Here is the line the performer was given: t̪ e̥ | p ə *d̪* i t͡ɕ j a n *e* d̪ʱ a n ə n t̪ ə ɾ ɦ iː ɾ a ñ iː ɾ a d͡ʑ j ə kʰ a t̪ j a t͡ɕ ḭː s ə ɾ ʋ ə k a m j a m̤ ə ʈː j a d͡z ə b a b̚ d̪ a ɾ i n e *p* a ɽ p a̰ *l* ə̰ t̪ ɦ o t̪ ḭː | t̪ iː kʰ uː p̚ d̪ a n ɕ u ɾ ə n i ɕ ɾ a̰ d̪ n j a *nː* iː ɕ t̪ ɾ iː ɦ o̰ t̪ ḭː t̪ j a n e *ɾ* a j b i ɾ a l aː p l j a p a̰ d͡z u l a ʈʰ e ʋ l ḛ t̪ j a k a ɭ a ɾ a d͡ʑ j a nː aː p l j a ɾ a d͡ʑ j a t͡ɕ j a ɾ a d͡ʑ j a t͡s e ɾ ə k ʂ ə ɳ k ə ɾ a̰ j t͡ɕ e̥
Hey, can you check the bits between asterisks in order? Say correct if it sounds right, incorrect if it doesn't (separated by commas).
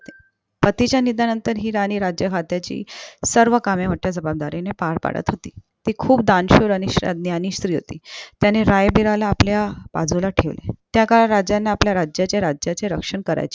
incorrect, incorrect, correct, incorrect, incorrect, correct